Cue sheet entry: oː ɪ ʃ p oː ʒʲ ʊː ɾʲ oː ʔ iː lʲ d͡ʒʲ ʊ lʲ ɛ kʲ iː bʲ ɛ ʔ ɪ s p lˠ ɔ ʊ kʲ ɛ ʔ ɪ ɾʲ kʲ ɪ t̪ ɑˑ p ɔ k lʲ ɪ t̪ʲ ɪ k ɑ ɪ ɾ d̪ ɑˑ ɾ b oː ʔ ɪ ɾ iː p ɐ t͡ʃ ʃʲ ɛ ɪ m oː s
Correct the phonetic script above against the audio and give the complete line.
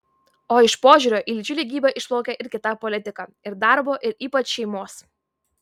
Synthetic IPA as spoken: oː ɪ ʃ p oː ʒʲ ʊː ɾʲ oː ʔ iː lʲ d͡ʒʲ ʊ lʲ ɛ ɡʲ iː bʲ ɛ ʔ ɪ ʃ p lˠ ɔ ʊ kʲ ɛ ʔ ɪ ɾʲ kʲ ɪ t̪ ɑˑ p ɔ lʲ ɪ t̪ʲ ɪ k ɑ ɪ ɾ d̪ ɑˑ ɾ b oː ʔ ɪ ɾ iː p ɐ t͡ʃ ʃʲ ɛ ɪ m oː s